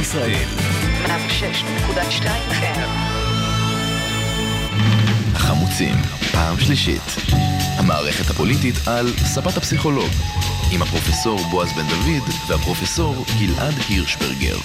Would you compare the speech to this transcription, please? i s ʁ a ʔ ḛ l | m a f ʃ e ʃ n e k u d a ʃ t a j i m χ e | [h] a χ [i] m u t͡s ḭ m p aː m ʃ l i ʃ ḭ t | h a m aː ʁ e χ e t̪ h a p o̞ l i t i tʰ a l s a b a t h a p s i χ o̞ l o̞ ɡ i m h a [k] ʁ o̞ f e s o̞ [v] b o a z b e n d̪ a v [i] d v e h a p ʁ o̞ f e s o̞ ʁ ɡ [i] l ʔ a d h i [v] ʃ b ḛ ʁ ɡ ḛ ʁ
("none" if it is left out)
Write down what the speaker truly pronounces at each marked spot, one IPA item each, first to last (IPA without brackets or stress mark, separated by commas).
h, a, p, ʁ, i, i, ʁ